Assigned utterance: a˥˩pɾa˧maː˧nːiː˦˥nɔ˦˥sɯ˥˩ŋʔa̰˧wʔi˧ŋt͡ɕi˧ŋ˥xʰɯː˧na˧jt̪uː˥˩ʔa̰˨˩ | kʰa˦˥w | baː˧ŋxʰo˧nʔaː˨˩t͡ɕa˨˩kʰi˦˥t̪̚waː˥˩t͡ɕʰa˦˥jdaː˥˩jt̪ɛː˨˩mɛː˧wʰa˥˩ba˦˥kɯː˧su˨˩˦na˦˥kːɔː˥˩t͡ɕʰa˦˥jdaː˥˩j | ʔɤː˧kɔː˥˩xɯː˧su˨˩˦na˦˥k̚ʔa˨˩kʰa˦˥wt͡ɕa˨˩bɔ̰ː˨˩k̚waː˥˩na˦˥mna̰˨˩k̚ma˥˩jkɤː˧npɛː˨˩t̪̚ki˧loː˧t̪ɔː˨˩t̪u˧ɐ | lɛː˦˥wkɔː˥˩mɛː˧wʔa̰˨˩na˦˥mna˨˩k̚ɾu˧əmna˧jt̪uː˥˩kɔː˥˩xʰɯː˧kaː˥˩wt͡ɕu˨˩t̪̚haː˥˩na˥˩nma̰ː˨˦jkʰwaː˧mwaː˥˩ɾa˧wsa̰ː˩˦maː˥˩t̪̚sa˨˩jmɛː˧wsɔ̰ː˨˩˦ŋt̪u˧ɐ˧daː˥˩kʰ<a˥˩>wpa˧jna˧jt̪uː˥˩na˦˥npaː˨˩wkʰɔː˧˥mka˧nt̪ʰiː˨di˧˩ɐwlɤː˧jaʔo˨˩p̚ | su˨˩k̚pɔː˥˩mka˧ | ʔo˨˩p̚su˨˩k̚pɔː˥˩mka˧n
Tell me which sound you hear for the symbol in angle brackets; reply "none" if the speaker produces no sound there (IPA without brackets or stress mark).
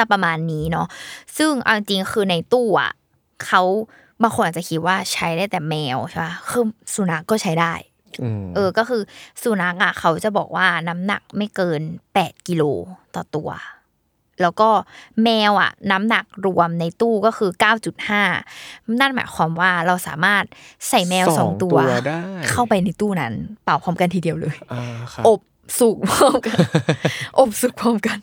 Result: a˥˩